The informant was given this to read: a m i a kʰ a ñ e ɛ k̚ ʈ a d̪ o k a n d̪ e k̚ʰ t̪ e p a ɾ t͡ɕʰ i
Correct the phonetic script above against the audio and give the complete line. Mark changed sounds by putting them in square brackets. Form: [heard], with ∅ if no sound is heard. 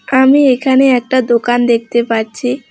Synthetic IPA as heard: a m i [e] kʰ a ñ e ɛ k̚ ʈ a d̪ o k a n d̪ e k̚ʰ t̪ e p a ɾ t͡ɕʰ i